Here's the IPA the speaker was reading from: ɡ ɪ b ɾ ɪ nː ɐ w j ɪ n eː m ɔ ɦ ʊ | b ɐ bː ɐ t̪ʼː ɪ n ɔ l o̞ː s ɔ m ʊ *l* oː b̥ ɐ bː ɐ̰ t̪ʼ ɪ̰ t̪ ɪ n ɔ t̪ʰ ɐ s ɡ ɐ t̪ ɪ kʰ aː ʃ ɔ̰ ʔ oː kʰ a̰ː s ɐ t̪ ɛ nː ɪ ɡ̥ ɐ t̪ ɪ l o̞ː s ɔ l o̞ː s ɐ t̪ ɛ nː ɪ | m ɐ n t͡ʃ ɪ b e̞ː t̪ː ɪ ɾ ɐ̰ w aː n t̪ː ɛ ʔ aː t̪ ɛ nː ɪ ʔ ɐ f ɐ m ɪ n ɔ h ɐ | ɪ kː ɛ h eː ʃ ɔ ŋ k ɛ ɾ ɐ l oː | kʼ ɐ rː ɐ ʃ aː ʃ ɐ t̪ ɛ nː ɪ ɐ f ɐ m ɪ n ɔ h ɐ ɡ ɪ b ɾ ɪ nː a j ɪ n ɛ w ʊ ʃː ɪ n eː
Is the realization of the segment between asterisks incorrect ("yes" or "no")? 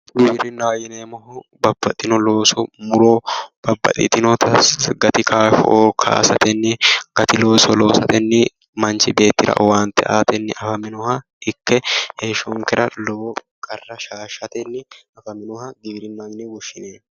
yes